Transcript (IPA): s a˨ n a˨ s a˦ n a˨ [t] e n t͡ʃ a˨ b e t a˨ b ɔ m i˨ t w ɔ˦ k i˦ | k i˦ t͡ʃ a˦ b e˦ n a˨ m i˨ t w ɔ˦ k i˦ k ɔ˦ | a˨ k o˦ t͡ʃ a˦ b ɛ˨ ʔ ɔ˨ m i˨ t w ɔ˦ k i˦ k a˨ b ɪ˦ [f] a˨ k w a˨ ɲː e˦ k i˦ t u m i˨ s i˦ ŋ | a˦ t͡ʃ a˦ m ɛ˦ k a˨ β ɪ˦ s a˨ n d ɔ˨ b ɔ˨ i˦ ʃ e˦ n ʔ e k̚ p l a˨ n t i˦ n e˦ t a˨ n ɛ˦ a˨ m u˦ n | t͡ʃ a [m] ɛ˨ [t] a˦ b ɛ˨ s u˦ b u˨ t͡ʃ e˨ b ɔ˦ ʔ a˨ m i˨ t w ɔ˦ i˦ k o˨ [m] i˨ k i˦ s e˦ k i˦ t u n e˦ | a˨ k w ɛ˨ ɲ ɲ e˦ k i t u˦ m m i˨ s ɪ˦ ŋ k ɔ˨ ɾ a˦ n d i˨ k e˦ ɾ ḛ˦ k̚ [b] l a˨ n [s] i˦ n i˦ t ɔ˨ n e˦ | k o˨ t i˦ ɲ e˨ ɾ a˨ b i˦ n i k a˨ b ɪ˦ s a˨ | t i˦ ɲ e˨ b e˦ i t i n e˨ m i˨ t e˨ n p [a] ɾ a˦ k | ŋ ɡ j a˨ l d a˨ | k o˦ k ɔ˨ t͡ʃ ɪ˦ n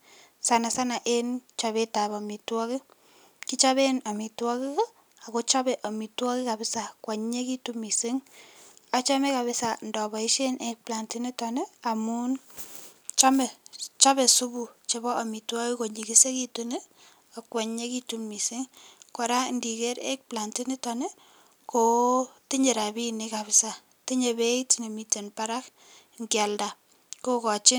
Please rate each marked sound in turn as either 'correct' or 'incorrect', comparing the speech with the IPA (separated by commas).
incorrect, incorrect, correct, incorrect, incorrect, incorrect, incorrect, correct